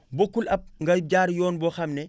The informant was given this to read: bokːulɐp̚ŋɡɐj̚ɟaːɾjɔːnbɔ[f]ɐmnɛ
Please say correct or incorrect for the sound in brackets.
incorrect